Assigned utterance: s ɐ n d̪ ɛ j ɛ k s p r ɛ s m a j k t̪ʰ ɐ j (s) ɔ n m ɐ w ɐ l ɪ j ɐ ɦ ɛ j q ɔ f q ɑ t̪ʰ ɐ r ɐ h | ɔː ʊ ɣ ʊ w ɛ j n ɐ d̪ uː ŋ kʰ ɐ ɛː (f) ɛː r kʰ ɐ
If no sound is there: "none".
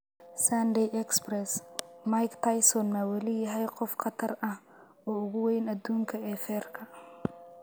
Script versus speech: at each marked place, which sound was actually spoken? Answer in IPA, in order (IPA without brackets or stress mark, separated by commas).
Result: s, f